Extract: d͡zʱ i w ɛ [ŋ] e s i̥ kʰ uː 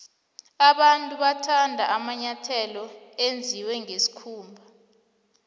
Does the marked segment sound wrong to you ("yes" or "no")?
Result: no